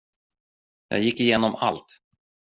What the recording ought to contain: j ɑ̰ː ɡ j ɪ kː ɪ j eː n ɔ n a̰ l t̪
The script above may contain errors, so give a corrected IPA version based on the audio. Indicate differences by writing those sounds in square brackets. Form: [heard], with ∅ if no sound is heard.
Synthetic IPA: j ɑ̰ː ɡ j ɪ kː ɪ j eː n ɔ [m] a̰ l t̪